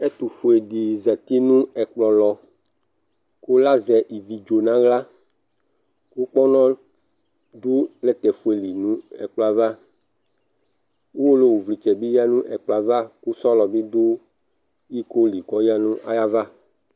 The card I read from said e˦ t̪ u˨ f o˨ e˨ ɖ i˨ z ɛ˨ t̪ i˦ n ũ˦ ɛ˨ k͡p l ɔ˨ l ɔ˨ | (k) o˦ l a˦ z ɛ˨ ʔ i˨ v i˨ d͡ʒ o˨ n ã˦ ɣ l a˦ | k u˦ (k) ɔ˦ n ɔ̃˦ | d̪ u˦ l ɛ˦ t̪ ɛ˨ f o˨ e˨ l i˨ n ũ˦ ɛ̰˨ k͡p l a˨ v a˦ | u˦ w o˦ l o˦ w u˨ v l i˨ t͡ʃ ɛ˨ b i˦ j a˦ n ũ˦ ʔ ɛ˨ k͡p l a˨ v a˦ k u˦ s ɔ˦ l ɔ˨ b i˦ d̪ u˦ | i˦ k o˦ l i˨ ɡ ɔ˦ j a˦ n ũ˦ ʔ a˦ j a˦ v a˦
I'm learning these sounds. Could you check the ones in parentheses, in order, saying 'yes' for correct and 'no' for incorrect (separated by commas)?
yes, no